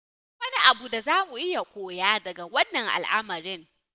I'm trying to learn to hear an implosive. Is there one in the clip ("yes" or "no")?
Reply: no